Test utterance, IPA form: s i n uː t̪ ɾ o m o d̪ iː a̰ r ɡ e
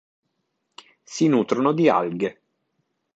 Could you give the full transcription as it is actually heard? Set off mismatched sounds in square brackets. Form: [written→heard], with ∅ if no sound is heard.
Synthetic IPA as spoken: s i n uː t̪ ɾ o [m→n] o d̪ [iː→i] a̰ [r→l] ɡ e